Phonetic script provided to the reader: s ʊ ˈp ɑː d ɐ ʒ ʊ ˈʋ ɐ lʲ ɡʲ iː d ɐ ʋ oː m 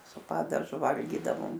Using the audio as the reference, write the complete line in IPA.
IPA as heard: s ʊ ˈp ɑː d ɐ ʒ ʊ ˈʋ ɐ lʲ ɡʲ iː d ɐ ʋ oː m